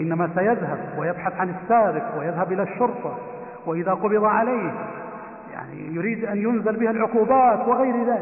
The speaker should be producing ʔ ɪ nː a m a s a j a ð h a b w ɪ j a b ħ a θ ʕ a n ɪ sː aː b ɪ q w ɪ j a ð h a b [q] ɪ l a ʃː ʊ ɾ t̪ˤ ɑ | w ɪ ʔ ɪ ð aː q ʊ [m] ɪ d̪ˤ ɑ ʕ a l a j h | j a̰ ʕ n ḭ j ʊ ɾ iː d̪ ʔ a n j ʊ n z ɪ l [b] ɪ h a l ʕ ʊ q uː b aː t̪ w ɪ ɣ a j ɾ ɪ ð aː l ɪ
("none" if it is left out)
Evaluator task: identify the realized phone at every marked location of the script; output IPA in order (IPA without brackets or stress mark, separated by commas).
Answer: ʔ, b, b